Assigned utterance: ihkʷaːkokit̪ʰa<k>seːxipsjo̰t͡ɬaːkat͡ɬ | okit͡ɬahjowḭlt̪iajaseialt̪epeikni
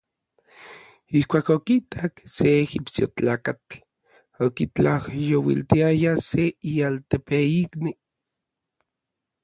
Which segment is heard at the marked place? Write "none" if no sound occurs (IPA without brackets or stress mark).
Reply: k